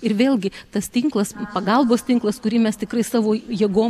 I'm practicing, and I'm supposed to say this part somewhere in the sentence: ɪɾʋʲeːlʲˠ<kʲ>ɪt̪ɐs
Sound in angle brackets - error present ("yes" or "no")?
yes